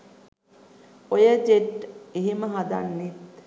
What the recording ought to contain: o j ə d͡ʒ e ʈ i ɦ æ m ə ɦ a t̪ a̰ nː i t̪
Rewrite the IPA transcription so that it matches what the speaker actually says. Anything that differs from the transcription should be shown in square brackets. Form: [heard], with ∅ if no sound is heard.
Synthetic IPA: o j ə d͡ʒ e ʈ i ɦ [i] m ə ɦ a [d̪] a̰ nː i t̪